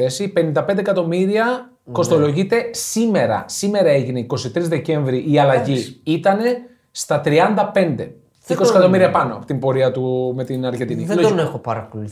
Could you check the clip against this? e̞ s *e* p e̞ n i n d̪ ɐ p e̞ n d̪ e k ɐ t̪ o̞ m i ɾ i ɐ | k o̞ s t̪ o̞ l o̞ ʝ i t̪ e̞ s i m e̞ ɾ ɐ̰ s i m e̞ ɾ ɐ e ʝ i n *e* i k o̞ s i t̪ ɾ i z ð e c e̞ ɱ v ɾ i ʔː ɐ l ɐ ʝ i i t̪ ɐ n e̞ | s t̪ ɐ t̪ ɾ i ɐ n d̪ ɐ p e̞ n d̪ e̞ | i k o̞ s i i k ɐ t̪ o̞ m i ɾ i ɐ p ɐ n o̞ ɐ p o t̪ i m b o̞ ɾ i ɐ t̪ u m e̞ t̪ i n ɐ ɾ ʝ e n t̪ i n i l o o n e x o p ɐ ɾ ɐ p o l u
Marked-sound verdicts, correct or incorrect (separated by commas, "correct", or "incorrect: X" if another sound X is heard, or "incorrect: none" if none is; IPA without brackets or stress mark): incorrect: i, correct